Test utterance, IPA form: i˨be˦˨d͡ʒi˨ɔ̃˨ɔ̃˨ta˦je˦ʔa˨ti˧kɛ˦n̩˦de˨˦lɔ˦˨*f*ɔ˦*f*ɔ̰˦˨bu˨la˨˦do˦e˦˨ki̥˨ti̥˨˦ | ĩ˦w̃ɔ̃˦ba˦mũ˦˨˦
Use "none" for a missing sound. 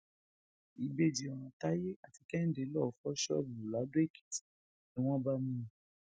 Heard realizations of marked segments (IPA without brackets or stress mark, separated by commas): f, ʃ